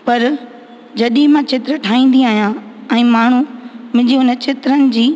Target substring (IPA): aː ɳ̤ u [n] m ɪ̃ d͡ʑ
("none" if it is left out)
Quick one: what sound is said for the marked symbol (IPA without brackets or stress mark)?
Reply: none